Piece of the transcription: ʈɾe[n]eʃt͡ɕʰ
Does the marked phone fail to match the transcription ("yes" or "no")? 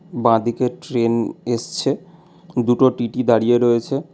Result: no